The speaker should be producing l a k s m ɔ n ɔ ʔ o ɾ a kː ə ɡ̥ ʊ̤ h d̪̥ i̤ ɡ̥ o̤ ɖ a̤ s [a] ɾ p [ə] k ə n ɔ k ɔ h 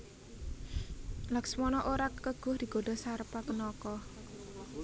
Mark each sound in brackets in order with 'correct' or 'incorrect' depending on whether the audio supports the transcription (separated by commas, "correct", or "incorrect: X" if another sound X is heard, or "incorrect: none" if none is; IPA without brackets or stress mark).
correct, incorrect: a